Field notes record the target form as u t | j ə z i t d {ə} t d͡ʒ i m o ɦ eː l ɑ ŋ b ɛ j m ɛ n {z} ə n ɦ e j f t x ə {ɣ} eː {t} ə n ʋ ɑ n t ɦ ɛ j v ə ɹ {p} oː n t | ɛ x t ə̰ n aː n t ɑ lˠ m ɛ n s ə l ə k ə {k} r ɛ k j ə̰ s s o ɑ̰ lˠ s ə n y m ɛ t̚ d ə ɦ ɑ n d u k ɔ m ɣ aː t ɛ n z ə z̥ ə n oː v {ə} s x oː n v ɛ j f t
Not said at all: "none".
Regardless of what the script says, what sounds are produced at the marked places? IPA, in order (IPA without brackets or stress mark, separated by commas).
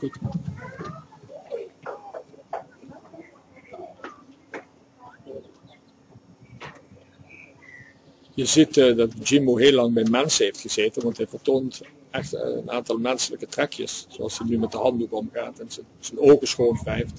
ɑ, s, z, t, t, t, ə